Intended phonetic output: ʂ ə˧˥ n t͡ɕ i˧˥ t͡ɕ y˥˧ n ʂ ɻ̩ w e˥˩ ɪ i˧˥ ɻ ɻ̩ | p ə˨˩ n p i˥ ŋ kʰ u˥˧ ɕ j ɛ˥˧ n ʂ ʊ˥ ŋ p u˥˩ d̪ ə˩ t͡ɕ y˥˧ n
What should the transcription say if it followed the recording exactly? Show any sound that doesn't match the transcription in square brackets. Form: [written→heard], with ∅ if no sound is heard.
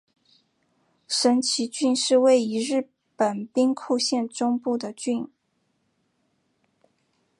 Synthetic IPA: ʂ ə˧˥ n [t͡ɕ→t͡ɕʰ] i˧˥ t͡ɕ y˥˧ n ʂ ɻ̩ w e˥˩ ɪ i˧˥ ɻ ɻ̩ | p ə˨˩ n p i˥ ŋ kʰ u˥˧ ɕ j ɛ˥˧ n [ʂ→ʈ͡ʂ] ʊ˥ ŋ p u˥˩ d̪ ə˩ t͡ɕ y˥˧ n